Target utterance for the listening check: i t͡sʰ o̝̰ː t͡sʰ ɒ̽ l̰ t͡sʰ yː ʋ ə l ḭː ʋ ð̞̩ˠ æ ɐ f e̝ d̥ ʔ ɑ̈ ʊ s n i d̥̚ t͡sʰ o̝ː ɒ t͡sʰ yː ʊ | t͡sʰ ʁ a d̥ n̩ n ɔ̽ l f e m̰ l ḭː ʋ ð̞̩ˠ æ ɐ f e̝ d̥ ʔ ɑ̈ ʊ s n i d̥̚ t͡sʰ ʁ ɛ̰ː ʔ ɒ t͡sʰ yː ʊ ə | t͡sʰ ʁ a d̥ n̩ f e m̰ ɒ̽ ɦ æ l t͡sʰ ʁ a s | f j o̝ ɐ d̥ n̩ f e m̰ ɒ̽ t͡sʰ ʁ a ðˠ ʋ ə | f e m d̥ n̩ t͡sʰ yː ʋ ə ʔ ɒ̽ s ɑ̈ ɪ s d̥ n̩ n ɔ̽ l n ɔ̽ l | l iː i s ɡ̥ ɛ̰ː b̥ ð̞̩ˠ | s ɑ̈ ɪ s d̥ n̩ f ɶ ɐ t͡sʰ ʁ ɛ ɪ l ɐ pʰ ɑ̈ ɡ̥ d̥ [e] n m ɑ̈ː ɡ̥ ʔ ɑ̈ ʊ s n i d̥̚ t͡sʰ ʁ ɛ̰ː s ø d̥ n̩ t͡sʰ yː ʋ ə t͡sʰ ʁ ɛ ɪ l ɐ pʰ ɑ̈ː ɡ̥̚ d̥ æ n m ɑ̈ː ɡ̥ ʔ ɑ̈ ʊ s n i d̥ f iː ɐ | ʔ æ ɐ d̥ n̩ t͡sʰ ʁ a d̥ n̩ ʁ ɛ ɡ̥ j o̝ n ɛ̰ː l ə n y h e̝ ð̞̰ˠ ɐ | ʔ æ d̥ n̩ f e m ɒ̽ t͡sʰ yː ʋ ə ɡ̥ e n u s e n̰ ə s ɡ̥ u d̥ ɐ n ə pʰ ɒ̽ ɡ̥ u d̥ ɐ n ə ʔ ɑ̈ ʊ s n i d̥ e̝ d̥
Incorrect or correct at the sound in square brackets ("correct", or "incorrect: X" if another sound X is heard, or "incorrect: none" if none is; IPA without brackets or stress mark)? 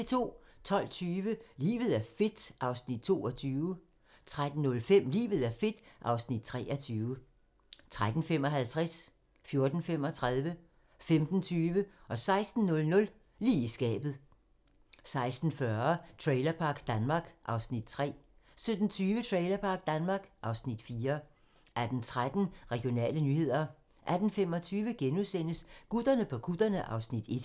incorrect: æ